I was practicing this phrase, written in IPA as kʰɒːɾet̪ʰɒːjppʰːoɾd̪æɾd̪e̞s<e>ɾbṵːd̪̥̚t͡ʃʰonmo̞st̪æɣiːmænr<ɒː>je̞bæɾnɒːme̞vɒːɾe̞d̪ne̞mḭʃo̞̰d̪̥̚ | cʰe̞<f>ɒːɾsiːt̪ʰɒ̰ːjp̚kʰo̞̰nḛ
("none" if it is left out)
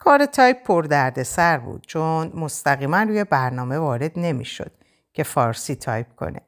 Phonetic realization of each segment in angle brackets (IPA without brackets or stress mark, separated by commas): æ, uː, f